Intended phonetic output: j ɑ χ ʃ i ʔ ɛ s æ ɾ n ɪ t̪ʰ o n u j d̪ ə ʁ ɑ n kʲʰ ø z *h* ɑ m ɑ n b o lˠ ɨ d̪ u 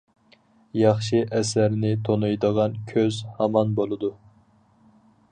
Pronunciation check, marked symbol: correct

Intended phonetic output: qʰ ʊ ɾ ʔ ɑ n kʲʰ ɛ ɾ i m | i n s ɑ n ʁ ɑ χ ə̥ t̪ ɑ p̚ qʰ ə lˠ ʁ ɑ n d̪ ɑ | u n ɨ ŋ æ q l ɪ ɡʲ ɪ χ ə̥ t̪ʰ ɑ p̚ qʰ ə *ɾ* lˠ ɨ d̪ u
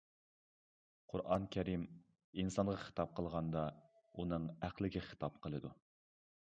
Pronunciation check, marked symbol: incorrect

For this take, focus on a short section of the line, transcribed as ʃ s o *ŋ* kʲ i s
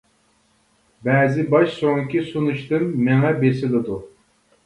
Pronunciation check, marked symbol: correct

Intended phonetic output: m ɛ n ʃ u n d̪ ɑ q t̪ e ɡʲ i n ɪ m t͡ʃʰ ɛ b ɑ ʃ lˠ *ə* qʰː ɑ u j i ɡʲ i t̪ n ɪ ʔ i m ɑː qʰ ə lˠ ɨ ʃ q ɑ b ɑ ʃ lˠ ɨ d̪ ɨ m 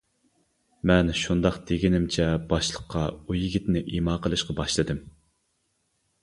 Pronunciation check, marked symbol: correct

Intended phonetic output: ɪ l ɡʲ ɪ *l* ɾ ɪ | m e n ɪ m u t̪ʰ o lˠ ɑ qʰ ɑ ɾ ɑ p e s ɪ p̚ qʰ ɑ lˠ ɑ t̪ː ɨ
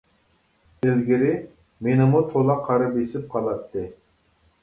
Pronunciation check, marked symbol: incorrect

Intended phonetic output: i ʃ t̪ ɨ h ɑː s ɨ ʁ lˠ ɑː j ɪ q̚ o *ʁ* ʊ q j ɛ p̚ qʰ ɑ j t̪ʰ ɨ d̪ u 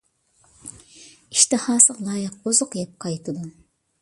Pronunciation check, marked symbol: incorrect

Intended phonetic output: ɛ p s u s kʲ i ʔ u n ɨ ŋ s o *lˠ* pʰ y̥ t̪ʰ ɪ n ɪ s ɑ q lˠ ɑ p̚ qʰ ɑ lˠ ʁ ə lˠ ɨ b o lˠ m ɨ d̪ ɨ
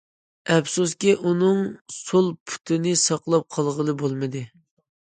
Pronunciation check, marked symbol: correct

